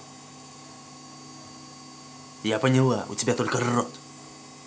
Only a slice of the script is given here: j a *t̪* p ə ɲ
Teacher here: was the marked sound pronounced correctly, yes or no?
no